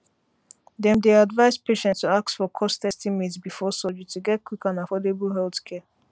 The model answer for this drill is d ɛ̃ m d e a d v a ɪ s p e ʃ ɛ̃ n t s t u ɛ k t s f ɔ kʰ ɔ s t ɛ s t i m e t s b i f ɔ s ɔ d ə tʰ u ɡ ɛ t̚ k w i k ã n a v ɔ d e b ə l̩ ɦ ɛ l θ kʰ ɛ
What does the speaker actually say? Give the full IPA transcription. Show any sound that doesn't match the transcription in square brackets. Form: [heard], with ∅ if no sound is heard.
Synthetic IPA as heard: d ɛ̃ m d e a d v a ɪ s p e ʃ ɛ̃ n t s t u [a] k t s f ɔ kʰ ɔ s t ɛ s t i m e t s b i f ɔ s ɔ [d͡ʒ] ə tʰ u ɡ ɛ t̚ k w i k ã n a [f] ɔ d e b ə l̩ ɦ ɛ l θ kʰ ɛ